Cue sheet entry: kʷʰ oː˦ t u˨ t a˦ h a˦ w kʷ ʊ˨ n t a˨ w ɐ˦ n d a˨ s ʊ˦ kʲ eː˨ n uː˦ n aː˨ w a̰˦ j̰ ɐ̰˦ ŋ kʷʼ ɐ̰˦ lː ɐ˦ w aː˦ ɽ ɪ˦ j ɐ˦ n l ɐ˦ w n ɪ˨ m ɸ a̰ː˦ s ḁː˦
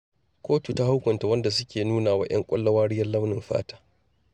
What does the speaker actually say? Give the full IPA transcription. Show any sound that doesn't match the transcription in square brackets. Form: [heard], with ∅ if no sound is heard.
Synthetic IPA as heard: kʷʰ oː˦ t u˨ t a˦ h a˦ w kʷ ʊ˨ n t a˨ w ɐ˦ n d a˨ s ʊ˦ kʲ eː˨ n uː˦ n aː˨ w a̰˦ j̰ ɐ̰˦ ŋ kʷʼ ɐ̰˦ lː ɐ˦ w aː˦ ɽ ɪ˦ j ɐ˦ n l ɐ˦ w n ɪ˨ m ɸ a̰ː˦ [t] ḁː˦